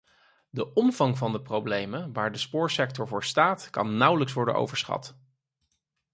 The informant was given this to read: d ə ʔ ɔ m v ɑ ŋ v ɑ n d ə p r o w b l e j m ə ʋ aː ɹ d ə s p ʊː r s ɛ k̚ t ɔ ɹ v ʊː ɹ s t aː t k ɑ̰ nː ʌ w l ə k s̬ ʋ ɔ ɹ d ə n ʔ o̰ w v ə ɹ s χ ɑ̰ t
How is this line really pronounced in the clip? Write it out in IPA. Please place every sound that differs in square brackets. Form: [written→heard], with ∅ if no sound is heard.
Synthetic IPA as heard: d ə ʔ ɔ m v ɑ ŋ v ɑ n d ə p r o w b l e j m ə ʋ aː ɹ d ə s p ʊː [r→ɹ] s ɛ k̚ t ɔ ɹ v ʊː ɹ s t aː t k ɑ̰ nː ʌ w l ə k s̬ ʋ ɔ ɹ d ə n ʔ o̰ w v ə ɹ s χ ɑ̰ t